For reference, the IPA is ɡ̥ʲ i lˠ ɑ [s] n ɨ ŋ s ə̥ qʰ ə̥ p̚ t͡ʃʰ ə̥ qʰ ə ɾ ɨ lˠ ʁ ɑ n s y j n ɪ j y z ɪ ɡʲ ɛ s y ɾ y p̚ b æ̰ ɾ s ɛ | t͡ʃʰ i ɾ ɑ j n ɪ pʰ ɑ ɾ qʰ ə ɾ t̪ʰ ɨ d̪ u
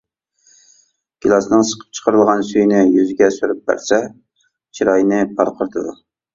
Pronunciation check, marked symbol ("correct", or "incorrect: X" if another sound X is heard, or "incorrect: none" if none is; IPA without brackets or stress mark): correct